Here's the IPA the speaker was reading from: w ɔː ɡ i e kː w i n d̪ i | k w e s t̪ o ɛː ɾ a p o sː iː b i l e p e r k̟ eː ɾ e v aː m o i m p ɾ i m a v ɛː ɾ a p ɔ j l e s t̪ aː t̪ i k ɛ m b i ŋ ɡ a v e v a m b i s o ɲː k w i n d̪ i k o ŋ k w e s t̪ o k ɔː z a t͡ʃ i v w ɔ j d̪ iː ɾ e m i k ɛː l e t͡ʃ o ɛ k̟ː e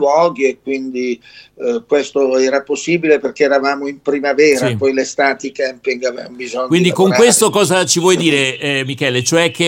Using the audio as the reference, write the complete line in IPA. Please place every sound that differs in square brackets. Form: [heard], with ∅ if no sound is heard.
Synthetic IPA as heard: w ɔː ɡ i e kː w i n d̪ i | k w e s t̪ o ɛː ɾ a p o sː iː b i l e p e r k̟ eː ɾ [a] v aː m o i m p ɾ i m a v ɛː ɾ a p ɔ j l e s t̪ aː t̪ i k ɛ m [p] i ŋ ɡ a v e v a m b i [z] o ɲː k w i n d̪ i k o ŋ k w e s t̪ o k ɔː z a t͡ʃ i v w ɔ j d̪ iː ɾ e m i k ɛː l e t͡ʃ o ɛ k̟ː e